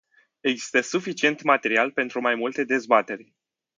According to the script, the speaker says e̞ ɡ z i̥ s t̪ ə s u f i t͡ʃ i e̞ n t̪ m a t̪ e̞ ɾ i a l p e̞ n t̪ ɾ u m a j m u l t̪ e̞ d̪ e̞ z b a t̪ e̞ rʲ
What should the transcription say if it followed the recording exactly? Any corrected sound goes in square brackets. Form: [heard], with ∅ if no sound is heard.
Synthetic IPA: e̞ ɡ z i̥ s t̪ ə s u f i t͡ʃ i e̞ n t̪ m a t̪ e̞ ɾ i a l p e̞ n t̪ ɾ u m a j m u l t̪ e̞ d̪ e̞ z b a t̪ e̞ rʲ